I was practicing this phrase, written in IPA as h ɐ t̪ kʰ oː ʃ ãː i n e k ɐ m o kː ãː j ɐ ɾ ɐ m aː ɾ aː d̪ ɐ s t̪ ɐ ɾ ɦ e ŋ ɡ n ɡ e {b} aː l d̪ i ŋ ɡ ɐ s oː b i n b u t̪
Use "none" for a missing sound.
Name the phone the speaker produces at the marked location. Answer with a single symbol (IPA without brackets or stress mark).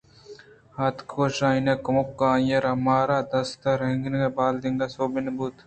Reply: b